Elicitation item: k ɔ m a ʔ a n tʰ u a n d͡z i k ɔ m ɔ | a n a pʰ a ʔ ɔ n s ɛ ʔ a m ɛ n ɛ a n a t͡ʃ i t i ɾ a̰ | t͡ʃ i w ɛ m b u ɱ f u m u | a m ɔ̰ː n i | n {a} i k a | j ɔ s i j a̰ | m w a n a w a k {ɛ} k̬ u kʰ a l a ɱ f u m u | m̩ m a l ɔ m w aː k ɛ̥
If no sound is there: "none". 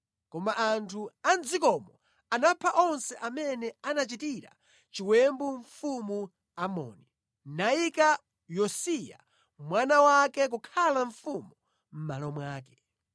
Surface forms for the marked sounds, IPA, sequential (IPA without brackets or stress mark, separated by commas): a, ɛ